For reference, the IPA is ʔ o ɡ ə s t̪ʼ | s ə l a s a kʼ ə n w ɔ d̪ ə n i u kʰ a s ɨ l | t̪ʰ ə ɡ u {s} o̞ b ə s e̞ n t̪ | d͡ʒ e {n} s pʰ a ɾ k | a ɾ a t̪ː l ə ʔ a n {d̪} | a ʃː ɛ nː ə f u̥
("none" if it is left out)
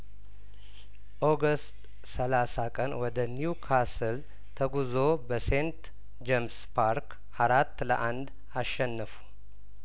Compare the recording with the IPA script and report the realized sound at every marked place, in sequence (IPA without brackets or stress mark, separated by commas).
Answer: z, m, d̪